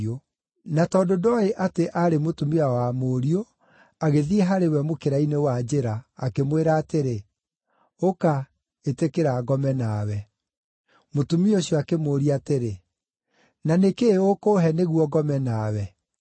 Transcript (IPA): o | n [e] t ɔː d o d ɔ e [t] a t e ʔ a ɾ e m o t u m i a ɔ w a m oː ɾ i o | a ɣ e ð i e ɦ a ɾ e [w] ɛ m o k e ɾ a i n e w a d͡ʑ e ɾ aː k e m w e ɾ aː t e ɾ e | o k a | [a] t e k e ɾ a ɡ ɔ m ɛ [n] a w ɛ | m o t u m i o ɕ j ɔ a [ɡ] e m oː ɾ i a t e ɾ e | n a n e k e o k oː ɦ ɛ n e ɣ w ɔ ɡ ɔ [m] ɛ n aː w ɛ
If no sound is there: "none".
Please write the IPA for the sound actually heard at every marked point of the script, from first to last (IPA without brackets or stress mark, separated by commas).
a, ʔ, w, e, n, k, m